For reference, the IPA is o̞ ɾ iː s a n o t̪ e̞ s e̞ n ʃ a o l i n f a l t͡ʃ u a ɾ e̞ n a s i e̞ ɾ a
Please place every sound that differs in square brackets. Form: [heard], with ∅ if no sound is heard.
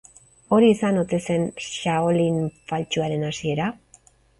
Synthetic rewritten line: o̞ ɾ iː s a n o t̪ e̞ s e̞ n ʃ a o l i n f a l t͡ʃ u a ɾ e̞ n a s i e̞ ɾ a